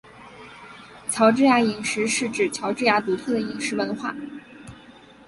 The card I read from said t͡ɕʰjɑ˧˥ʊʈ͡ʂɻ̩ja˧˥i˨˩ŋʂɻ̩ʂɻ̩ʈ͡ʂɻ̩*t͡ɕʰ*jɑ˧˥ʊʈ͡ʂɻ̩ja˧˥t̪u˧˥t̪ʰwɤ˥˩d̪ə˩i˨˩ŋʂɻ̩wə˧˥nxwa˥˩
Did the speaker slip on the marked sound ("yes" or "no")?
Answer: no